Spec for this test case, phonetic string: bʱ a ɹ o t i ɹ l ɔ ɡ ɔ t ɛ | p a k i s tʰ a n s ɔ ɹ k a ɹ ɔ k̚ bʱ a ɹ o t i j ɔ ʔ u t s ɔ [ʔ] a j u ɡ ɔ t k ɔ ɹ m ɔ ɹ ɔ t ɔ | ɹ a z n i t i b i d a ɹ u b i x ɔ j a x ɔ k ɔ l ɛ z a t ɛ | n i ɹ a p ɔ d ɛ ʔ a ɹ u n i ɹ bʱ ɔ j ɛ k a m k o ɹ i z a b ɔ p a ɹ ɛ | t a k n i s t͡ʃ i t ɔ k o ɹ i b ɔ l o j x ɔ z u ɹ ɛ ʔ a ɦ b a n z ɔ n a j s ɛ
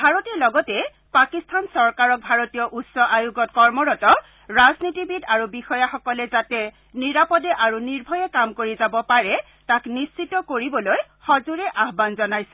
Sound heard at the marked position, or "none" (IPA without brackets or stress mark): ʔ